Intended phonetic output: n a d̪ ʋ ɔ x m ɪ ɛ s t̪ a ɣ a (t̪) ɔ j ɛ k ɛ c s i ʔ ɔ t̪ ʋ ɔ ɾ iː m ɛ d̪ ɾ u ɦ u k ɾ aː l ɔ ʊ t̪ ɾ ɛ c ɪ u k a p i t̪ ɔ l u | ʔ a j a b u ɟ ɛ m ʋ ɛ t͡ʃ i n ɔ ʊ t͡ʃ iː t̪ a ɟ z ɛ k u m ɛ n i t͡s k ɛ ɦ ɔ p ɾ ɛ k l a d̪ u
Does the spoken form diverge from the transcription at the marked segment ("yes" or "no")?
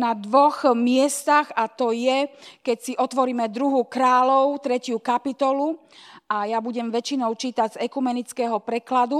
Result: no